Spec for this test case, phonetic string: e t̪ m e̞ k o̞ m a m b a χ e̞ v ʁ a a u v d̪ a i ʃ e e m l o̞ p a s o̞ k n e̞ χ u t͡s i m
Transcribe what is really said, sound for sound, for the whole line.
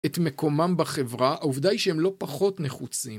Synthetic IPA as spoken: e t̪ m e̞ k o̞ m a m b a χ e̞ v ʁ a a u v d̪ a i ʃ e e m l o̞ p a χ o̞ t n e̞ χ u t͡s i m